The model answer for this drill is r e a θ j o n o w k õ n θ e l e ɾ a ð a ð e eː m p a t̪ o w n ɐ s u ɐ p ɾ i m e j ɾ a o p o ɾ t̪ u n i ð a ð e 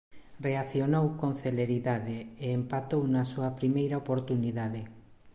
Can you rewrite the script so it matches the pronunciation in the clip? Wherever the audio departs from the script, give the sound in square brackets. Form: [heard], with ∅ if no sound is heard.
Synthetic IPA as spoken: r e a θ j o n o w k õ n θ e l e ɾ [i] ð a ð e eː m p a t̪ o w n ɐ s u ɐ p ɾ i m e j ɾ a o p o ɾ t̪ u n i ð a ð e